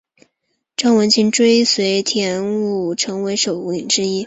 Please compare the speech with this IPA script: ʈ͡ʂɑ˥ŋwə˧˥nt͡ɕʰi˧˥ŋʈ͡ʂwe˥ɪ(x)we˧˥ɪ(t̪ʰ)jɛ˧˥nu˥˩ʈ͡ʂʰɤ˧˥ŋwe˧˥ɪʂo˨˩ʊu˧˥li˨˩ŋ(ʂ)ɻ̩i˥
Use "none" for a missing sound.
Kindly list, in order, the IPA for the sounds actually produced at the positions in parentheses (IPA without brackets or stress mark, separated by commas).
s, t̪ʰ, ʈ͡ʂ